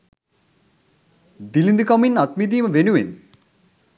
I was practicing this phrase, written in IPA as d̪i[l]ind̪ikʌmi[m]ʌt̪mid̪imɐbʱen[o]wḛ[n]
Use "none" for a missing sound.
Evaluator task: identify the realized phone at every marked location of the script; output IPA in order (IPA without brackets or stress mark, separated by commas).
l, n, u, n